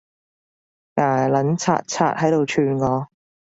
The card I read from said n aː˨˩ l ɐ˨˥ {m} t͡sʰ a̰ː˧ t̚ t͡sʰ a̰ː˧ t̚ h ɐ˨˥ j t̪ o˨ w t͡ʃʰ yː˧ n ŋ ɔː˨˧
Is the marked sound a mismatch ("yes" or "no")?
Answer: yes